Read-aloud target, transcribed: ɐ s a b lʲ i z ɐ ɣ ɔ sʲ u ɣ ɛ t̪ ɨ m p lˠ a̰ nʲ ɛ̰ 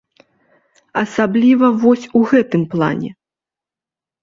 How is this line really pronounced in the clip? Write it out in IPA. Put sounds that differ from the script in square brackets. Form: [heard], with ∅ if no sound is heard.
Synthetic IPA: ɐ s a b lʲ i [v] ɐ [v] ɔ sʲ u ɣ ɛ t̪ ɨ m p lˠ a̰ nʲ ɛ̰